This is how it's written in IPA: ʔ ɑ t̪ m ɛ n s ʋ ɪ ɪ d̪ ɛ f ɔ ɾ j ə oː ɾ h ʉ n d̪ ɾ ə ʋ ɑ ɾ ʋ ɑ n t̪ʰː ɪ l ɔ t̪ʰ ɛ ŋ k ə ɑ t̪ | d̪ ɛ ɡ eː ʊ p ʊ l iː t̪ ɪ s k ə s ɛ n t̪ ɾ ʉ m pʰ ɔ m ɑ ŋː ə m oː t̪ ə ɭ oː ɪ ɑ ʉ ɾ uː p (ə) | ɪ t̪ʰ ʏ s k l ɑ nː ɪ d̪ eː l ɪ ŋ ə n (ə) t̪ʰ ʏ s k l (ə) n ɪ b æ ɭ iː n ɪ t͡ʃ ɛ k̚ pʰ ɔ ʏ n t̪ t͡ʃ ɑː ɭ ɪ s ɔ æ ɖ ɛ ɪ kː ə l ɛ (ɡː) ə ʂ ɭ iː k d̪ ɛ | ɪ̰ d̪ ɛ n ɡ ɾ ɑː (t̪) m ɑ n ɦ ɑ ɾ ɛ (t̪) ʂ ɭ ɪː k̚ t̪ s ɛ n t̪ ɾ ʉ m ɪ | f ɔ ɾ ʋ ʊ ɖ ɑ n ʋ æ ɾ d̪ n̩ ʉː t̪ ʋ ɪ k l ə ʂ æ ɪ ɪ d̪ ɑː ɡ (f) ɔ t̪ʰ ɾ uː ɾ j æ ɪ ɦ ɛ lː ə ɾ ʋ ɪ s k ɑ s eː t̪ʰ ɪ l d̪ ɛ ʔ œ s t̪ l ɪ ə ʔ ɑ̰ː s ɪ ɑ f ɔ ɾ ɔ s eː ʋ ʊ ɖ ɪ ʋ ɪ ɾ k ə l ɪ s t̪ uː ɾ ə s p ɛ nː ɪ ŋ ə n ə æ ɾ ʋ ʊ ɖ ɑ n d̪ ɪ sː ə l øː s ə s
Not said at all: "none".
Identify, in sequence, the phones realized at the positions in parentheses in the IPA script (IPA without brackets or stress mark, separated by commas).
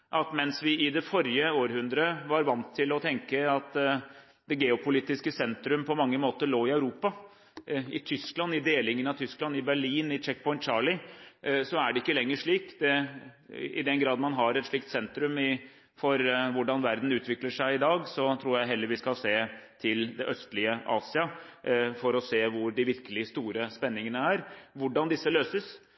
ɑ, ɑ, ɑ, ŋː, d̪, t̪, s